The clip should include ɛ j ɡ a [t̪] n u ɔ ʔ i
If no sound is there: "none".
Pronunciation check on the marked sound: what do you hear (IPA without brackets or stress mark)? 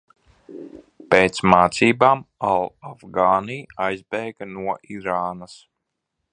none